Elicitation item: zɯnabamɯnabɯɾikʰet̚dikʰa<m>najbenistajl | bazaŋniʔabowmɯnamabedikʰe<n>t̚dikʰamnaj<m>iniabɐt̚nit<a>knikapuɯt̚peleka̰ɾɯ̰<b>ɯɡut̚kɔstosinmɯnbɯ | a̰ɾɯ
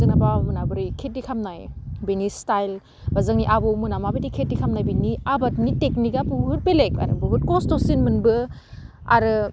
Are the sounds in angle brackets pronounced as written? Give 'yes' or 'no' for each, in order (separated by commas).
yes, no, no, no, yes